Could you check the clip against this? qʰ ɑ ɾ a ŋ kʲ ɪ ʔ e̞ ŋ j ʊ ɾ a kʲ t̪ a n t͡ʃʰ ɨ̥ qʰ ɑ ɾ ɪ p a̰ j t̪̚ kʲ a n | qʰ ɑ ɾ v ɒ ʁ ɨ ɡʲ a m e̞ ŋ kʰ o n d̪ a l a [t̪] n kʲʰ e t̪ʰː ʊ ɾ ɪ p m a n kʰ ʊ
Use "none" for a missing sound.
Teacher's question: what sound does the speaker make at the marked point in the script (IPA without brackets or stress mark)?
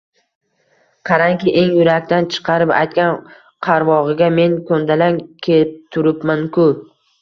none